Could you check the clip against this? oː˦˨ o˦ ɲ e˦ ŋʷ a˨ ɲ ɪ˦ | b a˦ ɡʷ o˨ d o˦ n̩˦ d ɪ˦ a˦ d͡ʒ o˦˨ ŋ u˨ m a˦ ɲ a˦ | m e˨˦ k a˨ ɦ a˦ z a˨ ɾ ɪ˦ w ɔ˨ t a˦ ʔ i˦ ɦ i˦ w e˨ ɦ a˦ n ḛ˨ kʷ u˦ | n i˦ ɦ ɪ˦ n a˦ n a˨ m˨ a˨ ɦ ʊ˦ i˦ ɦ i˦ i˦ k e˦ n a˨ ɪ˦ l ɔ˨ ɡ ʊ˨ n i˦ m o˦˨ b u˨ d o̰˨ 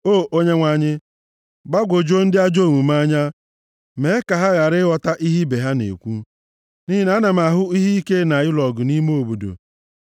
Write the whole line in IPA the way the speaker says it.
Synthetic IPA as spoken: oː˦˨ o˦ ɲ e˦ ŋʷ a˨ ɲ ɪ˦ | b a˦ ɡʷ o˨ d͡ʒ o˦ n̩˦ d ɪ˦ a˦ d͡ʒ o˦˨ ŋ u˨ m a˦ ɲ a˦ | m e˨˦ k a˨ ɦ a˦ ɣ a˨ ɾ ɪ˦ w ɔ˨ t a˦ ʔ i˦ ɦ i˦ b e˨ ɦ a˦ n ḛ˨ kʷ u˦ | n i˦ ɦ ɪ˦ n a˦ n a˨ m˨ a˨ ɦ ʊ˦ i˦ ɦ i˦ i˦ k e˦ n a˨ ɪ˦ l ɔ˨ ɡ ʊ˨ n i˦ m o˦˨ b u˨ d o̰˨